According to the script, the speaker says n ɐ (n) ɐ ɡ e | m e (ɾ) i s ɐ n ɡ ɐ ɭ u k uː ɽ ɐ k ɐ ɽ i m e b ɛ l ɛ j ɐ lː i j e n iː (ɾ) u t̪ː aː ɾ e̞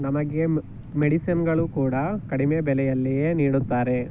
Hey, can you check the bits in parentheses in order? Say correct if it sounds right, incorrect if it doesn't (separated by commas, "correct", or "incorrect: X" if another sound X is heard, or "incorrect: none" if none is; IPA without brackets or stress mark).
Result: incorrect: m, incorrect: ɽ, incorrect: ɽ